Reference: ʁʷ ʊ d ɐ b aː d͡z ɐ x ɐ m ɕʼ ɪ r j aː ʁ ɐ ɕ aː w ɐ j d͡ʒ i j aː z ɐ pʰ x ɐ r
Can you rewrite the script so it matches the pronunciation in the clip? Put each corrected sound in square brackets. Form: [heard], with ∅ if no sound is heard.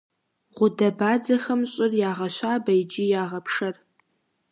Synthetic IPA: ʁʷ ʊ d ɐ b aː d͡z ɐ x ɐ m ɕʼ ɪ r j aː ʁ ɐ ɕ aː [b] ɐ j d͡ʒ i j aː [ʁ] ɐ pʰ [ʂ] ɐ r

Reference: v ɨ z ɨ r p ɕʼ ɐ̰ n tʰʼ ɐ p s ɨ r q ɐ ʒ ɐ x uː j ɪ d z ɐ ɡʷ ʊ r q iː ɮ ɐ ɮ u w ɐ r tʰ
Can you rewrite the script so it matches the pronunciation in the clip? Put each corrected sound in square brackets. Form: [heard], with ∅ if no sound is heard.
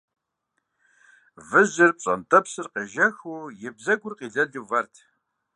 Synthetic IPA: v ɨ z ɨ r p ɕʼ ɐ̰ n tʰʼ ɐ p s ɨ r q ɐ ʒ ɐ x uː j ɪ [b] z ɐ ɡʷ ʊ r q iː ɮ ɐ ɮ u [v] ɐ r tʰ

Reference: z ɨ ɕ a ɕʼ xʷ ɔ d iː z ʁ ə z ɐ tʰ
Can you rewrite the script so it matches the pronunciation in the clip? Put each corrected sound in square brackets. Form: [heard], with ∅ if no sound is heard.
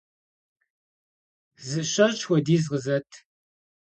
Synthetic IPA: z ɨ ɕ [ɐ] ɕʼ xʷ ɔ d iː z ʁ ə z ɐ tʰ

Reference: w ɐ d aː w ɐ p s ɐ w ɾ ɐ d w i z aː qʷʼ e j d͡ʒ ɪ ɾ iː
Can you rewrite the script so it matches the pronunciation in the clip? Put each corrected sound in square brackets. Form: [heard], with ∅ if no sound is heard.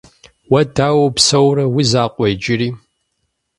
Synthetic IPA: w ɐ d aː w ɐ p s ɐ w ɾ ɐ [∅] w i z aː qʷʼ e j d͡ʒ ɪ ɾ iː

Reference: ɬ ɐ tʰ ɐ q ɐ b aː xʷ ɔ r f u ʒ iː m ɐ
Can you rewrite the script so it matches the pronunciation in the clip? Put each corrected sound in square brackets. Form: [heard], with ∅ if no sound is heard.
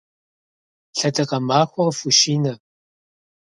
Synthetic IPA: ɬ ɐ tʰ ɐ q ɐ [m] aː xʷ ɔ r f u [ʃ] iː [n] ɐ

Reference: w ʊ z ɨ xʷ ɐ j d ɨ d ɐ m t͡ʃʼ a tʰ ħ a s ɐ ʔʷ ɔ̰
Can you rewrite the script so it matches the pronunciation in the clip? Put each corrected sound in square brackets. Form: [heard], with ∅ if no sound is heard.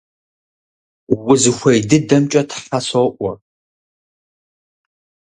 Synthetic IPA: w ʊ z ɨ xʷ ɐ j d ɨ d ɐ m t͡ʃʼ [ɐ] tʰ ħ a s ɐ ʔʷ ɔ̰

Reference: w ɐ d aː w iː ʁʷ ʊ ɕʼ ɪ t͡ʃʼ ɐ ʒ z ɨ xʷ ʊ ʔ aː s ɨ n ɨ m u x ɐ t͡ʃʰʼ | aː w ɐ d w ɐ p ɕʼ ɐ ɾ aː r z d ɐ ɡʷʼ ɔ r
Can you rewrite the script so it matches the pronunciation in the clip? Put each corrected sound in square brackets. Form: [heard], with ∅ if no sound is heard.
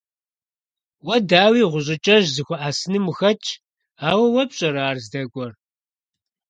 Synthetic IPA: w ɐ d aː w iː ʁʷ ʊ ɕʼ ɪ t͡ʃʼ ɐ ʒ z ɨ xʷ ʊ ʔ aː s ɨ n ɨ m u x ɐ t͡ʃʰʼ | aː w ɐ [∅] w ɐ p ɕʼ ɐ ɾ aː r z d ɐ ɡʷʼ ɔ r

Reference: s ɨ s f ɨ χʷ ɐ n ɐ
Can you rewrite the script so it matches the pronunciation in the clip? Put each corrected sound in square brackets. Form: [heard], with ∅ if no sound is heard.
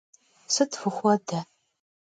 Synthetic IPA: s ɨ [t] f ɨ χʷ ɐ [d] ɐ

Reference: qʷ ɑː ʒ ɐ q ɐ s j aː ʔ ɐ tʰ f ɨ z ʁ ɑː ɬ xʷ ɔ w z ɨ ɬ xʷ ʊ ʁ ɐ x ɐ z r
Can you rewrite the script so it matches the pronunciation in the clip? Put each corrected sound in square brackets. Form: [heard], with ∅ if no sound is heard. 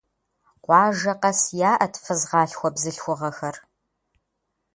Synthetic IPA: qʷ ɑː ʒ ɐ q ɐ s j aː ʔ ɐ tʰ f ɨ z ʁ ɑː ɬ xʷ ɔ [b] z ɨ ɬ xʷ ʊ ʁ ɐ x ɐ [∅] r

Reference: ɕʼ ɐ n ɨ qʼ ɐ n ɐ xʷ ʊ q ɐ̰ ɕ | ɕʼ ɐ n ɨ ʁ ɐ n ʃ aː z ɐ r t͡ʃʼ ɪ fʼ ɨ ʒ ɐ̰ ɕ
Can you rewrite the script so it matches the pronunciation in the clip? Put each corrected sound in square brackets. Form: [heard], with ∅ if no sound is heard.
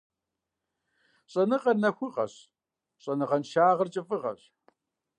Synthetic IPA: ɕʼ ɐ n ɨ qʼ ɐ n ɐ xʷ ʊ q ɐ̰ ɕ | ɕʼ ɐ n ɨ ʁ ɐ n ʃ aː [ʁ] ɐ r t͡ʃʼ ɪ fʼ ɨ [ʁ] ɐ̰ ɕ

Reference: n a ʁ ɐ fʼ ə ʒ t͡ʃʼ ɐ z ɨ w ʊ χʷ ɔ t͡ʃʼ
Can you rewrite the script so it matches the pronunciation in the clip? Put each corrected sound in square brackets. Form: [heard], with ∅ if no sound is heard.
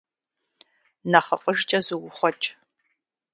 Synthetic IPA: n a [χ] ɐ fʼ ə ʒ t͡ʃʼ ɐ z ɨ w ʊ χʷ ɔ t͡ʃʼ

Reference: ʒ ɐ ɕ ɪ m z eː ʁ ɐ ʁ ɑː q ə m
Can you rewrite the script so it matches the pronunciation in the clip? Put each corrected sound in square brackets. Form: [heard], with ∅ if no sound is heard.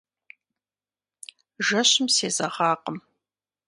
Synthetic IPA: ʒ ɐ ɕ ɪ m [s] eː [z] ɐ ʁ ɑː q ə m

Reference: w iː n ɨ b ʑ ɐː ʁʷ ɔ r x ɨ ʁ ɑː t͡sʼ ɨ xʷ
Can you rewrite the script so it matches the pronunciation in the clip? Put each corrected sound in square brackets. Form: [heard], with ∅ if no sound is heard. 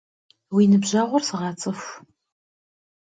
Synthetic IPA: w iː n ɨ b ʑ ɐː ʁʷ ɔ r [s] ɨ ʁ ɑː t͡sʼ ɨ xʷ

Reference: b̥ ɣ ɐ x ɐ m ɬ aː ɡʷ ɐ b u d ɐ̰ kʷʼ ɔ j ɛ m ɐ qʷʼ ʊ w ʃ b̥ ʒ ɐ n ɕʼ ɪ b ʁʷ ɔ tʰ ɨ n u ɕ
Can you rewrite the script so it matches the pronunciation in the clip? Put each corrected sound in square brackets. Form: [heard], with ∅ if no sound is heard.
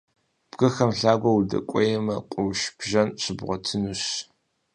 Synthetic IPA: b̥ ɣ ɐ x ɐ m ɬ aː ɡʷ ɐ [w] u d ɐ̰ kʷʼ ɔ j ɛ m ɐ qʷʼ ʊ w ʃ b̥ ʒ ɐ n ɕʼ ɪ b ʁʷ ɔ tʰ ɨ n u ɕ

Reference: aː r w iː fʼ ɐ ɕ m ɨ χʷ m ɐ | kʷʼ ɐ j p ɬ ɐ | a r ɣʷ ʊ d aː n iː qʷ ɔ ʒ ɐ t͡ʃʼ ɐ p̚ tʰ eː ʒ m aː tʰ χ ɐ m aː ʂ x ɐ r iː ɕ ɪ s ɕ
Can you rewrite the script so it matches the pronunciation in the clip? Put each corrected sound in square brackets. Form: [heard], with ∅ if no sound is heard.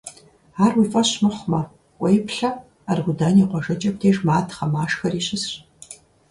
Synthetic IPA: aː r w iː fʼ ɐ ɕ m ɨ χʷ m ɐ | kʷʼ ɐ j p ɬ ɐ | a r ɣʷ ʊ d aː n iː qʷ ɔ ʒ ɐ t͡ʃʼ ɐ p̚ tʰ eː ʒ m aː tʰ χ ɐ m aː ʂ x ɐ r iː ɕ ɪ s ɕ

